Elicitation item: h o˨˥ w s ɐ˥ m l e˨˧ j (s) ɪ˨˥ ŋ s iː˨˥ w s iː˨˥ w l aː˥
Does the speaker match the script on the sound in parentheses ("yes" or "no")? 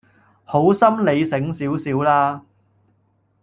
yes